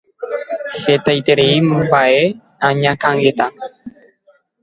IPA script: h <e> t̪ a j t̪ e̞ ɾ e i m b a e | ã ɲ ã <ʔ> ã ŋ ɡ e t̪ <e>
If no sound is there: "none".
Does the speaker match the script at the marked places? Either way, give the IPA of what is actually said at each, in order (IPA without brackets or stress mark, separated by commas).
e, k, a